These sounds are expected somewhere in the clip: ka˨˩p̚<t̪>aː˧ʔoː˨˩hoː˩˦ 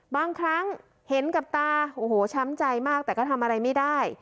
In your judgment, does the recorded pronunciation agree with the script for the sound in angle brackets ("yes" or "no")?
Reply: yes